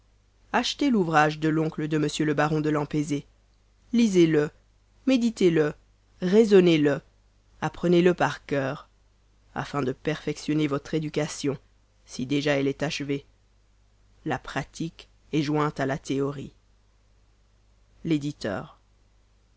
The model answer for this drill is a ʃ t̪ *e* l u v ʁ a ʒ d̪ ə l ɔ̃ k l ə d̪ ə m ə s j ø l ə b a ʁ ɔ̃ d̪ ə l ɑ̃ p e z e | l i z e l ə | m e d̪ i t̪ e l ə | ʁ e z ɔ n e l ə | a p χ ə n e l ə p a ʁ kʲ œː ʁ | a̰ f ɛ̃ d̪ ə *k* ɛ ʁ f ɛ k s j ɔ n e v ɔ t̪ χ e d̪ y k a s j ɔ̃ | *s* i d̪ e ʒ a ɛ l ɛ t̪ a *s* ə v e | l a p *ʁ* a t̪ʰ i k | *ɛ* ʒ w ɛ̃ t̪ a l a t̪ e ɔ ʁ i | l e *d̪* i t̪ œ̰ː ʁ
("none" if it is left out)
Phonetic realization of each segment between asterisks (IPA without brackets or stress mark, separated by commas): e, p, s, ʃ, χ, ɛ, d̪